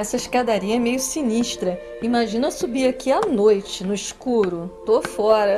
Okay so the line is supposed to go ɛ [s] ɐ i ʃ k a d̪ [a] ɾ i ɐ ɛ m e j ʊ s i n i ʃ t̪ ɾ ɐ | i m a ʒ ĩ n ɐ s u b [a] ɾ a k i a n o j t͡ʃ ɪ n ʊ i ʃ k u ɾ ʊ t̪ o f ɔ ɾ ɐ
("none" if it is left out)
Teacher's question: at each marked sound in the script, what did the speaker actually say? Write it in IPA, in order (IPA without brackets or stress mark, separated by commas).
s, a, i